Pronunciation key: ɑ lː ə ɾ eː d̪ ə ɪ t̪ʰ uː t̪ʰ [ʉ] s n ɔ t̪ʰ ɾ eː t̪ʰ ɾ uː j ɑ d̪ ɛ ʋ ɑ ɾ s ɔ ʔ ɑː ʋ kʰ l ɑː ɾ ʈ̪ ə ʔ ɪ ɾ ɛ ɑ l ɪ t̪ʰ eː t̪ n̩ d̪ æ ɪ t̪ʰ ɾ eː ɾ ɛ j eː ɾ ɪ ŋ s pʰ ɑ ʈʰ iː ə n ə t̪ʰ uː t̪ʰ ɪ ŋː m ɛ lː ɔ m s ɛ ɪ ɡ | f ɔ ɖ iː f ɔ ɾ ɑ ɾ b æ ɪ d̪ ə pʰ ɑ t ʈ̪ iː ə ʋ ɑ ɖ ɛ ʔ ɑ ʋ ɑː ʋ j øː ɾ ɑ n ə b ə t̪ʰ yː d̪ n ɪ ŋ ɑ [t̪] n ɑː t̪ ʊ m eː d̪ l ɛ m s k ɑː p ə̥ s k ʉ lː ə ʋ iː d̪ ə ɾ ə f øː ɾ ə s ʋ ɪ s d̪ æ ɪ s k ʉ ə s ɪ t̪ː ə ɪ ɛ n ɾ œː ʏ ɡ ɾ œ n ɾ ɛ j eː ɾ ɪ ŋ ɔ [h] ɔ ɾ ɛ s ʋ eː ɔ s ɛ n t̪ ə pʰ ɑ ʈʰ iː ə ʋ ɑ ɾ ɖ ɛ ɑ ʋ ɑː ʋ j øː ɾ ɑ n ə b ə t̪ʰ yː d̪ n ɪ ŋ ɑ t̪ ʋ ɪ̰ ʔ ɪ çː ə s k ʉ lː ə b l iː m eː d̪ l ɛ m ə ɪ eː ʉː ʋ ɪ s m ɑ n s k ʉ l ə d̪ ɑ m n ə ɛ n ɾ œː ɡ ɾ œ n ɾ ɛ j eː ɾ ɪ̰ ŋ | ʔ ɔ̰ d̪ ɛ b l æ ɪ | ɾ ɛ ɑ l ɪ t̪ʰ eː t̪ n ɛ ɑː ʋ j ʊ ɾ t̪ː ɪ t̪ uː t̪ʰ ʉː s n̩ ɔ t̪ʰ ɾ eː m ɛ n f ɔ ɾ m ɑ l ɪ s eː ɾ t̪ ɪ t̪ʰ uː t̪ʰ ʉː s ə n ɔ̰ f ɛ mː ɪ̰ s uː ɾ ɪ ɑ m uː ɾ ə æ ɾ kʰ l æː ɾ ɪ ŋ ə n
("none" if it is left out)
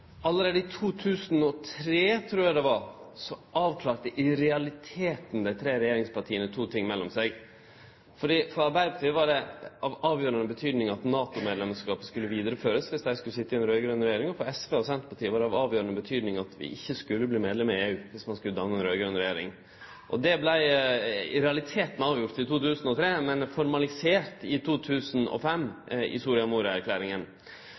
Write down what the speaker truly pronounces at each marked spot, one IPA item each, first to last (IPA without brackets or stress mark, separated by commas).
ʉː, t̪, f